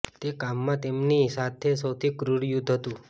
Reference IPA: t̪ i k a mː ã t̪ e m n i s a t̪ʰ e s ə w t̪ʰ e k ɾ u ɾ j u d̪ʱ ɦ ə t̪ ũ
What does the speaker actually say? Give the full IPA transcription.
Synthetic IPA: t̪ e k a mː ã t̪ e m n i s a t̪ʰ e s ə w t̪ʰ i k ɾ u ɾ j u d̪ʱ ɦ ə t̪ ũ